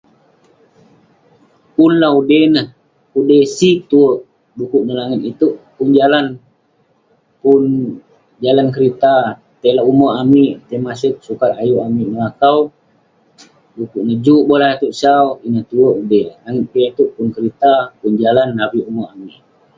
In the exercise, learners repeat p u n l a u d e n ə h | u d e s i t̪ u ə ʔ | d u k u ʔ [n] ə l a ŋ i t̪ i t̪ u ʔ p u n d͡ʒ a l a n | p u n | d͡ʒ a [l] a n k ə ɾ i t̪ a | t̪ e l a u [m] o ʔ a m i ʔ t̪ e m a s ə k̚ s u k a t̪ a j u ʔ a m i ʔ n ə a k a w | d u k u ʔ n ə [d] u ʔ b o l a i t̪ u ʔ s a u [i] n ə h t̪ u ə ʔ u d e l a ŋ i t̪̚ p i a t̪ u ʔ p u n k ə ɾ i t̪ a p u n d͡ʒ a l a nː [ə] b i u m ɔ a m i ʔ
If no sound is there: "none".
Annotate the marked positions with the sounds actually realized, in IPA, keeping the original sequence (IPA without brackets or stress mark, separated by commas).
n, l, m, d͡ʒ, i, a